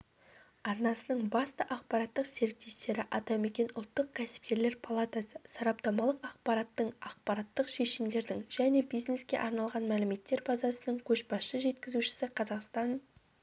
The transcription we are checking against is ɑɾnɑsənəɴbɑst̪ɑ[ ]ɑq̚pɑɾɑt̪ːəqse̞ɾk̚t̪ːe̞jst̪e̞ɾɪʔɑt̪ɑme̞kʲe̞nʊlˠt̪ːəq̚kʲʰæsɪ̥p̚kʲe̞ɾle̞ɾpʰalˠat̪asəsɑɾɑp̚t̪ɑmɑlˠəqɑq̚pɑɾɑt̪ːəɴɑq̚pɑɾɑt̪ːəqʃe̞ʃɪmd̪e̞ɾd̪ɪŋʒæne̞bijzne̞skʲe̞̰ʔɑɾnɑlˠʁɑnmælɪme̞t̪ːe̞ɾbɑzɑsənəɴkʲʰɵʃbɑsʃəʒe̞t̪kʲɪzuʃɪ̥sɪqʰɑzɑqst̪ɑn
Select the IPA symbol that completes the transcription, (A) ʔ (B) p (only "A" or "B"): A